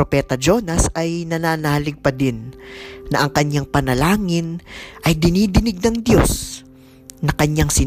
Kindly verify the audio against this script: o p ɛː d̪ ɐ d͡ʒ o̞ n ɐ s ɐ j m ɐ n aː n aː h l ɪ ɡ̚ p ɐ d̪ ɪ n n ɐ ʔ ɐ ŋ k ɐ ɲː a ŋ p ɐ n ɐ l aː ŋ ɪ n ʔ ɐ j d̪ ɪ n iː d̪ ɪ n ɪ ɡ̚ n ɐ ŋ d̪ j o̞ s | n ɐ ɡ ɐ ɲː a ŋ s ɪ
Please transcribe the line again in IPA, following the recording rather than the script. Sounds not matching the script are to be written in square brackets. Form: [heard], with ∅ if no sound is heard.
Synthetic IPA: o p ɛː [t̪] ɐ d͡ʒ o̞ n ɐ s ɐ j [n] ɐ n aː n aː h l ɪ ɡ̚ p ɐ d̪ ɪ n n ɐ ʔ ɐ ŋ k ɐ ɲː a ŋ p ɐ n ɐ l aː ŋ ɪ n ʔ ɐ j d̪ ɪ n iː d̪ ɪ n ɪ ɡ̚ n ɐ ŋ d̪ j o̞ s | n ɐ [k] ɐ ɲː a ŋ s ɪ